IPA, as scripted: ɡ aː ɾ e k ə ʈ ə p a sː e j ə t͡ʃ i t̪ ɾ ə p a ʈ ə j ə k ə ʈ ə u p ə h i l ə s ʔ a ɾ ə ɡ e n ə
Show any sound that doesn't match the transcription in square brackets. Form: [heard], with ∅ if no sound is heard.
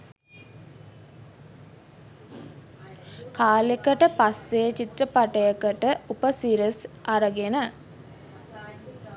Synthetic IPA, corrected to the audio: [k] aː [l] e k ə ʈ ə p a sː e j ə t͡ʃ i t̪ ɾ ə p a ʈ ə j ə k ə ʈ ə u p ə [s] i [ɾ] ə s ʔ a ɾ ə ɡ e n ə